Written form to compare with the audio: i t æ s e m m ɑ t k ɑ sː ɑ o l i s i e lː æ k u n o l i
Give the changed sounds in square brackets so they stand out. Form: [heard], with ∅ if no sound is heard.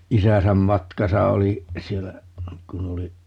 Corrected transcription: i [s] æ s [æ] m m ɑ t k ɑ [s] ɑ o l i s i e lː æ k u n o l i

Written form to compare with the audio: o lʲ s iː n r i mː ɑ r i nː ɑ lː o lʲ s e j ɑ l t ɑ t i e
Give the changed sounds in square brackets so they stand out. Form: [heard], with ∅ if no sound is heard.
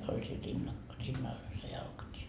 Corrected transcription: o lʲ s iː n r i [nː] ɑ r i nː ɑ [l] o lʲ s e j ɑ l [k] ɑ t i e

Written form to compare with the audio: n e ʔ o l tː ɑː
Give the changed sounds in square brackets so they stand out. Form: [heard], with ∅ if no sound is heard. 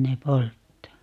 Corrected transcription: n e [p] o l tː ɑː

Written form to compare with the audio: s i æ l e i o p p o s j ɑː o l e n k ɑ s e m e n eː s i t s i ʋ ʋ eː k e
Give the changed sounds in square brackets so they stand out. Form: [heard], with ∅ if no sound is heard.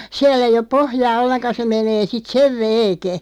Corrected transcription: s i æ l e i o p p o [h] j ɑː o [lː] e n k ɑ s e m e n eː s i t s [e] ʋ ʋ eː k e

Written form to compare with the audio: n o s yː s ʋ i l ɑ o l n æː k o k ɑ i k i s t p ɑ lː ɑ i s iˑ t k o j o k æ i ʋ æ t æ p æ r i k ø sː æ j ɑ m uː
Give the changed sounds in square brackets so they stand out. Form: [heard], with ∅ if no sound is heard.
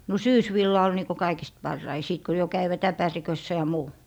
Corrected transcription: n o s yː s ʋ i [lː] ɑ o l n [iː] k o k ɑ i k i s t p ɑ [rː] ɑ i s iˑ t k o j o k æ i ʋ æ t æ p æ r i k ø sː æ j ɑ m uː

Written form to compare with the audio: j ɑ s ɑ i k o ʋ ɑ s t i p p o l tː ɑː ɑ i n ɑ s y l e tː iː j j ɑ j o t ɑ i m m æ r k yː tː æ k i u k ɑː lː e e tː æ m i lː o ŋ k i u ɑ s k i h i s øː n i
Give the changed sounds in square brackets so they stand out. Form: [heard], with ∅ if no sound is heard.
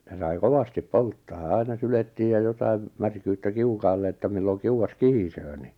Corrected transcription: j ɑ s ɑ i k o ʋ ɑ s t i p p o l tː ɑː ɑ i n ɑ s y l e tː iː j j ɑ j o t ɑ i m m æ r k yː tː æ k i u k ɑː lː e e tː æ m i lː o ŋ k i u ɑ s k i h i s øː n i

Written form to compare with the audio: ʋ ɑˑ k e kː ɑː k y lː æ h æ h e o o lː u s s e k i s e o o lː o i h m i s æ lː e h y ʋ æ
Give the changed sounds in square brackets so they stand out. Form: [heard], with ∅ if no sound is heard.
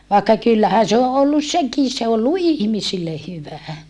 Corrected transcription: ʋ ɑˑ [∅] e kː [ɑ] k y lː æ h æ [s] e o o lː u s s e k i s e o o lː [u] i h m i s [i] lː e h y ʋ æ

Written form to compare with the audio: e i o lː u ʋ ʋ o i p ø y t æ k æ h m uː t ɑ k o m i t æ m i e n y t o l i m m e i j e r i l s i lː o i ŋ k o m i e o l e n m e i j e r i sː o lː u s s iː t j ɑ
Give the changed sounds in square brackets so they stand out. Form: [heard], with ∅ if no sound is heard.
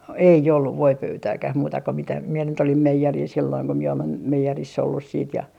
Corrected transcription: e i o lː u ʋ ʋ o i p ø y t [æː] k æ h m uː t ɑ k o m i t æ m i e n y t o l i m m e i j e r i l s i lː o i ŋ k o m i e o l e n m e i j e r i sː o lː u s s iː t j ɑ

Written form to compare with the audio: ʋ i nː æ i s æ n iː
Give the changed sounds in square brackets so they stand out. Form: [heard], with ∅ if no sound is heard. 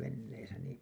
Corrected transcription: ʋ [e] nː [e] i s æ n iː

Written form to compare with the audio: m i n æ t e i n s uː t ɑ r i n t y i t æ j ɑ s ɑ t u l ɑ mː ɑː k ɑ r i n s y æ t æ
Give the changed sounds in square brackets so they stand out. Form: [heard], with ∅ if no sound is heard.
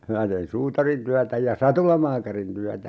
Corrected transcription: m i n æ t e i n s uː t ɑ r i n t y [æ] t æ j ɑ s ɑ t u l ɑ [m] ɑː k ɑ r i n [t] y æ t æ

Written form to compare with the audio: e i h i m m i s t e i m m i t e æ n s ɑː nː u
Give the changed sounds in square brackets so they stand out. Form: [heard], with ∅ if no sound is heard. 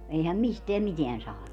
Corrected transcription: e i h [æ] m m i s t e [æ] m m i t e æ n s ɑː [n] u

